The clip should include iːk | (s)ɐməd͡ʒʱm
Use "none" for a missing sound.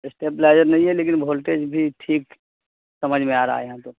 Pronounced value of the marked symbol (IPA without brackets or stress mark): s